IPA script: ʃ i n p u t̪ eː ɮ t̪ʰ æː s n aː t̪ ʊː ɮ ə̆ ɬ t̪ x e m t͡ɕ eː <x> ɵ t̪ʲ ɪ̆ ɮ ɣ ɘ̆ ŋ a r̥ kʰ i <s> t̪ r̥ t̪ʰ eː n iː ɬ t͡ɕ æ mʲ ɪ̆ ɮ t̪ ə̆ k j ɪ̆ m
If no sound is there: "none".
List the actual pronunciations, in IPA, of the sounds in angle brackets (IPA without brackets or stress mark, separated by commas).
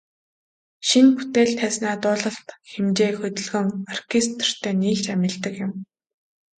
x, s